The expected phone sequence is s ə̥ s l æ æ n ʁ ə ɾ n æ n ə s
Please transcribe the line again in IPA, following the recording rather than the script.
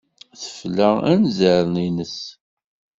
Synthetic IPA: θ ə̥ f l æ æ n z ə ɾ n i n ə s